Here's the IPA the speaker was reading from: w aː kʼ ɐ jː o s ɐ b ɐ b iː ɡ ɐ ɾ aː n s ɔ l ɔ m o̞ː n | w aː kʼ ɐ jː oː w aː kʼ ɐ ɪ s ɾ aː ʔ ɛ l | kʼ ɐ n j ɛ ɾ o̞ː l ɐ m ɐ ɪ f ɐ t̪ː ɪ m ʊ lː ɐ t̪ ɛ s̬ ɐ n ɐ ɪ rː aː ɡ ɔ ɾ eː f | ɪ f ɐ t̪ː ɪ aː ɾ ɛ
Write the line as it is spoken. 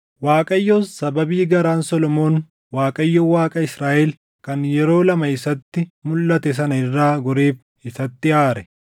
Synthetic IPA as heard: w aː kʼ ɐ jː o s ɐ b ɐ b iː ɡ ɐ ɾ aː n s ɔ l ɔ m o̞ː n | w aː kʼ ɐ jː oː w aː kʼ ɐ ɪ s ɾ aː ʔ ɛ l | k ɐ n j ɛ ɾ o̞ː l ɐ m ɐ ɪ s ɐ t̪ː ɪ m ʊ lː ɐ t̪ ɛ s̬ ɐ n ɐ ɪ rː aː ɡ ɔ ɾ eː f | ɪ s ɐ t̪ː ɪ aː ɾ ɛ